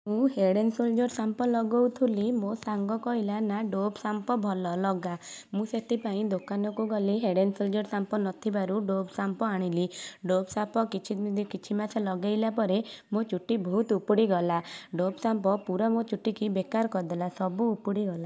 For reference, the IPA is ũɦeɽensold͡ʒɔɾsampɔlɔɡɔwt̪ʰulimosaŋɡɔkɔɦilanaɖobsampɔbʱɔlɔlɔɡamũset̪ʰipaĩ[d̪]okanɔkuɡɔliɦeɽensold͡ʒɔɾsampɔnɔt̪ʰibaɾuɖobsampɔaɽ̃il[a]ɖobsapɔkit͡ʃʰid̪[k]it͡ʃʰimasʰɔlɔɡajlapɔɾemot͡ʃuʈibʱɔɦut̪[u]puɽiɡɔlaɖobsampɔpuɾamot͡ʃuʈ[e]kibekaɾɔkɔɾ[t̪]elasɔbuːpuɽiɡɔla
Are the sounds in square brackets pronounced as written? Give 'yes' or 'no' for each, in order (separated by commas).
yes, no, yes, yes, no, no